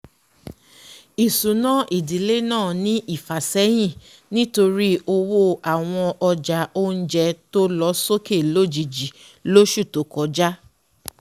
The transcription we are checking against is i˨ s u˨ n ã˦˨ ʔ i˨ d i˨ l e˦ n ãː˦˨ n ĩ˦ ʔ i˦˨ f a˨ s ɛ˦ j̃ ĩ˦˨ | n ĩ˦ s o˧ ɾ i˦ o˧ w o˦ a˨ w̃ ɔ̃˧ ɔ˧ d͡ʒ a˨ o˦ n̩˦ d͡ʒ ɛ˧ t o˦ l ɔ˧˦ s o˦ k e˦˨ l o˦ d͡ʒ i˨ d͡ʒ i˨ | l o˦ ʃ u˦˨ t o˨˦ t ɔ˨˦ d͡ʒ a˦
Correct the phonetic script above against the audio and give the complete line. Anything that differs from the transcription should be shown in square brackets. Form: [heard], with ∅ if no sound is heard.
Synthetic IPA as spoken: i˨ s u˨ n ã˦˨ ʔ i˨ d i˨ l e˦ n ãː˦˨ n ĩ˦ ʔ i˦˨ f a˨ s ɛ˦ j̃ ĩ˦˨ | n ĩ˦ [t] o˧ ɾ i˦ o˧ w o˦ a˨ w̃ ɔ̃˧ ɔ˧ d͡ʒ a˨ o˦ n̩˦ d͡ʒ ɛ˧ t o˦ l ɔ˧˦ s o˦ k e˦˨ l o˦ d͡ʒ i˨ d͡ʒ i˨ | l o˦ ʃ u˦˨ t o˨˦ [k] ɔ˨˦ d͡ʒ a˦